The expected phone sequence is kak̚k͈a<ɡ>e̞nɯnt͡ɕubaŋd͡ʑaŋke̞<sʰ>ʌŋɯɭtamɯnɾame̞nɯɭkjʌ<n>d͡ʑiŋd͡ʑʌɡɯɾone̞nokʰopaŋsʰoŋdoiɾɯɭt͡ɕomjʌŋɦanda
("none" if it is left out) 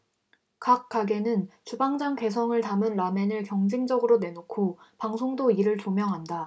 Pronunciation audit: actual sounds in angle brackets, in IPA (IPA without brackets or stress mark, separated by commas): ɡ, sʰ, ŋ